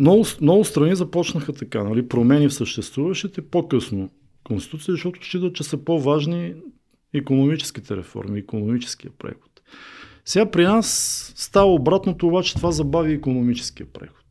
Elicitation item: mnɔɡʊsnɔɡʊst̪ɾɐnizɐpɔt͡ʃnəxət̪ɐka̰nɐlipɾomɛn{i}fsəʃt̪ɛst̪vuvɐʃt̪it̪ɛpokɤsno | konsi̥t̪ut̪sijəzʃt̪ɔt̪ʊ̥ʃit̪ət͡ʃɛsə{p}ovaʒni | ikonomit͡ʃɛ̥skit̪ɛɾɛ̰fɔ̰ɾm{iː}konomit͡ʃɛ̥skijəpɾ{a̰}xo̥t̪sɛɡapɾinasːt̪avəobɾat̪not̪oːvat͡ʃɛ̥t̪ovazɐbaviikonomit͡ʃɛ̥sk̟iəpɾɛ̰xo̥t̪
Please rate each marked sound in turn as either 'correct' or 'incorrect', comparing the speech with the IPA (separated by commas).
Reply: correct, correct, correct, incorrect